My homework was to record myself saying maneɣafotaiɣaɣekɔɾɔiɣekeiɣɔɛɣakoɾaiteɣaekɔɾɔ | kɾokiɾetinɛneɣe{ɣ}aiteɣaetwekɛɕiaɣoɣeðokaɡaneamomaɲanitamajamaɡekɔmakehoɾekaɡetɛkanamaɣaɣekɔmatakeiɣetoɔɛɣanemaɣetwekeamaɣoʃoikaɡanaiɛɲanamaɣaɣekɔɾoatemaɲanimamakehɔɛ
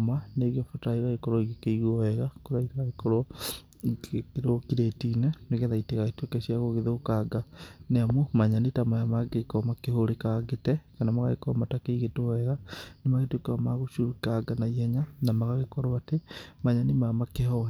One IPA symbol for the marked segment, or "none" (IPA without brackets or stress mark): ð